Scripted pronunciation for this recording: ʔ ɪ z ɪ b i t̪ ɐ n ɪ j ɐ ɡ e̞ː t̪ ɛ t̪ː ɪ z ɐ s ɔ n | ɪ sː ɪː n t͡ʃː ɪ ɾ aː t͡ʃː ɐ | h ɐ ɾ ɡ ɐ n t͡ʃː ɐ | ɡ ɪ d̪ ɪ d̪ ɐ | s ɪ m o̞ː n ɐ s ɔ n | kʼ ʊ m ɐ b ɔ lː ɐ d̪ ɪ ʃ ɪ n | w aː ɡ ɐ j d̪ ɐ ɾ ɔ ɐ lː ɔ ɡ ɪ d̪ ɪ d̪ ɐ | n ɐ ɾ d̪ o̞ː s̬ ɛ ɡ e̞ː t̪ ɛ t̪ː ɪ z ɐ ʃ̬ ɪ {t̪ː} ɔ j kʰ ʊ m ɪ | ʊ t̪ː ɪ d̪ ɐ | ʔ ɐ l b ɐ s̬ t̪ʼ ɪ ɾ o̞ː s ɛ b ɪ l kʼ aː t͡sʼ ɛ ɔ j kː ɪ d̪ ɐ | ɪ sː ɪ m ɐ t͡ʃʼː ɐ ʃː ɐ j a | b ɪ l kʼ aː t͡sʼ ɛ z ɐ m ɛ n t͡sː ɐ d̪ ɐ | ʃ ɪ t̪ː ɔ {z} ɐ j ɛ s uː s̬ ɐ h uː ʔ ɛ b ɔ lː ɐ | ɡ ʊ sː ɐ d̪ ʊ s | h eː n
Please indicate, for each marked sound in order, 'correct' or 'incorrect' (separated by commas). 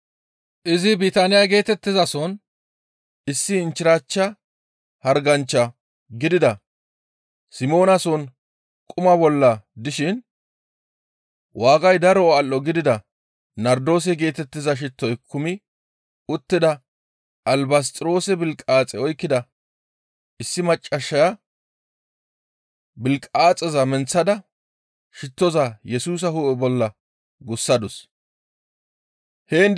correct, correct